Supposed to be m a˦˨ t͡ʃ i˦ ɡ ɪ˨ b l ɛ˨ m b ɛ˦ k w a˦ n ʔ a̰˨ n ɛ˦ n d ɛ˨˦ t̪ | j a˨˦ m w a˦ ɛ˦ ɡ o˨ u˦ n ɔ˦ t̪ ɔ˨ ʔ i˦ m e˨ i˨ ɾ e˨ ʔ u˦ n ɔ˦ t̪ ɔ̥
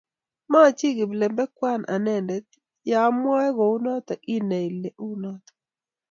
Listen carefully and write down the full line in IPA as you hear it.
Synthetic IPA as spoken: m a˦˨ t͡ʃ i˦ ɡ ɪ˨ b l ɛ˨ m b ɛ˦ k w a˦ n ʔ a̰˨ n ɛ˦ n d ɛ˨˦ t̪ | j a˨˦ m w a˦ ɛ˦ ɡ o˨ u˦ n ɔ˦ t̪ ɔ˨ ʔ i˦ n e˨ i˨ l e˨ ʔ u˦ n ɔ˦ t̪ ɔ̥